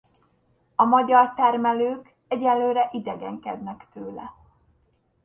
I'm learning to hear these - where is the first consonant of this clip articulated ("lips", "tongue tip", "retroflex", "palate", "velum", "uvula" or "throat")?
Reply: lips